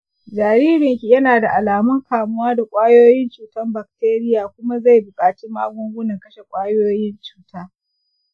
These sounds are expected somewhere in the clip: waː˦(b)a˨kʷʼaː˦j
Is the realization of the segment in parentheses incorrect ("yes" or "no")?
yes